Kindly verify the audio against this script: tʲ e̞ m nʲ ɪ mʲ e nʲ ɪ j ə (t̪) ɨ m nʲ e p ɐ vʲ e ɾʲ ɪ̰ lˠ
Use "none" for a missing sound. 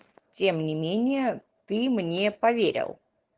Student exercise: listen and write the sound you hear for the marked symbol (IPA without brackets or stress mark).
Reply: t̪